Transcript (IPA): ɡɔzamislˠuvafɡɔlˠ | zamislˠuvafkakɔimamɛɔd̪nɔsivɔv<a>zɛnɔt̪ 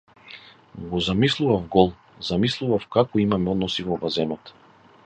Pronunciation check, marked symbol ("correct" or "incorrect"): correct